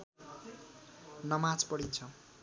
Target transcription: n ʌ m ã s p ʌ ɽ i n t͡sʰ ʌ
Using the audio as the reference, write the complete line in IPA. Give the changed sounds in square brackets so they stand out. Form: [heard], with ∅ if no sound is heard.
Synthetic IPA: n ʌ m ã [t͡s] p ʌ ɽ i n t͡sʰ ʌ